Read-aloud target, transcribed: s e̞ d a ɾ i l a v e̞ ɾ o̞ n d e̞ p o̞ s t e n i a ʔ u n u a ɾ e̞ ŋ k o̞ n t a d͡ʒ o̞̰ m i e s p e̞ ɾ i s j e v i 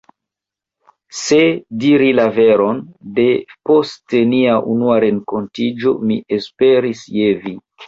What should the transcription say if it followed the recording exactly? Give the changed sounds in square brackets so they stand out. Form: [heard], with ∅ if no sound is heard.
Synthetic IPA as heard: s e̞ d [i] ɾ i l a v e̞ ɾ o̞ n d e̞ p o̞ s t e n i a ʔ u n u a ɾ e̞ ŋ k o̞ n t [i] d͡ʒ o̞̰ m i e s p e̞ ɾ i s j e v i